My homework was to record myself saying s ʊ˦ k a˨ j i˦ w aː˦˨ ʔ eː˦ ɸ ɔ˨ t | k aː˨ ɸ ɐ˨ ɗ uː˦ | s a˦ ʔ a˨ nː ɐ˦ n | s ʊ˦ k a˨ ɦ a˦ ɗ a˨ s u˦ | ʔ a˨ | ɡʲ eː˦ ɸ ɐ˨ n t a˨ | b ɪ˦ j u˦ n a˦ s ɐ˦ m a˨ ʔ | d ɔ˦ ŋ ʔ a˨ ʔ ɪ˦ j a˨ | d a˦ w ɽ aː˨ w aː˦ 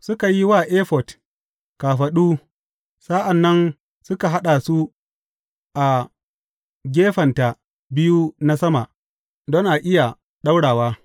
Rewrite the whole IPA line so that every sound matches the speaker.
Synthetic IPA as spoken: s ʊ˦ k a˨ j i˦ w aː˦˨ ʔ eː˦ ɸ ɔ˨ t | k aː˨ ɸ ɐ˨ ɗ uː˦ | s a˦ ʔ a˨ nː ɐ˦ n | s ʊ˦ k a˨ ɦ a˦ ɗ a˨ s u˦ | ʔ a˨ | ɡʲ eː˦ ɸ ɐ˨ n t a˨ | b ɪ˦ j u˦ n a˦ s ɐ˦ m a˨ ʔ | d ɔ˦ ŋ ʔ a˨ ʔ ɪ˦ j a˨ | ɗ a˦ w ɽ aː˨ w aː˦